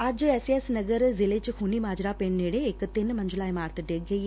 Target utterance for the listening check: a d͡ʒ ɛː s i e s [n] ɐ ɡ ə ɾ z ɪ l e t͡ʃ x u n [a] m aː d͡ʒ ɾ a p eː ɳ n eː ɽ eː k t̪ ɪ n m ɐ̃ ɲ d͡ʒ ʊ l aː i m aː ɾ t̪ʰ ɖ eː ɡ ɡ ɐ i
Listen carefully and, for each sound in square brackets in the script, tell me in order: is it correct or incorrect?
correct, incorrect

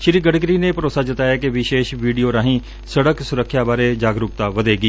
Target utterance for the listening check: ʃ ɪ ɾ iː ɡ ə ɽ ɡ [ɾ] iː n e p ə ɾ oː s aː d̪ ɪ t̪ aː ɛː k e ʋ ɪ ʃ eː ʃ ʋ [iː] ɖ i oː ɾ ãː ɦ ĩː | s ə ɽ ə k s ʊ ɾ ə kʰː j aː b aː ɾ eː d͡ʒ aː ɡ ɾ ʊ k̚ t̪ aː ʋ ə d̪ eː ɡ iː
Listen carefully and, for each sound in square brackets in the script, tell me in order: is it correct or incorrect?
correct, correct

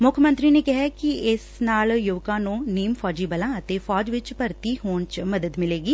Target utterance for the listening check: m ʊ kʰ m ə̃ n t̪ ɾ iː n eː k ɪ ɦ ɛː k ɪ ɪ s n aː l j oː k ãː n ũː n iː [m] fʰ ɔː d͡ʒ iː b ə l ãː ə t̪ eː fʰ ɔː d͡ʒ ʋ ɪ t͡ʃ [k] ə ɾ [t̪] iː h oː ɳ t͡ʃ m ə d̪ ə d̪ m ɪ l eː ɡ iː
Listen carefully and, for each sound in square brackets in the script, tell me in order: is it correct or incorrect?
correct, incorrect, correct

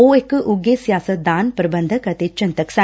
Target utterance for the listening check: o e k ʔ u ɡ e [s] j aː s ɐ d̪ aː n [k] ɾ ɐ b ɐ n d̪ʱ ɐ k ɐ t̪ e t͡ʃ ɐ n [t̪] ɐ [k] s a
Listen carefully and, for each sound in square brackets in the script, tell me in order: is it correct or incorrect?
correct, incorrect, correct, correct

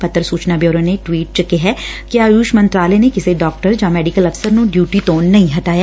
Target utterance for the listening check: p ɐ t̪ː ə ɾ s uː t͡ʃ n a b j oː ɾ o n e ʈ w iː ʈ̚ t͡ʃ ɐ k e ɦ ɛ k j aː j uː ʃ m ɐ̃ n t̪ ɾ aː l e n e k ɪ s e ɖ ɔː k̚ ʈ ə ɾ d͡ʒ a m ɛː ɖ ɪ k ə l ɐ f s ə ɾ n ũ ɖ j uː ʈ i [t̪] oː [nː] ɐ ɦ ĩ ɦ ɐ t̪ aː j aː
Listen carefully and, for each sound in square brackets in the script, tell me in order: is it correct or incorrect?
correct, correct

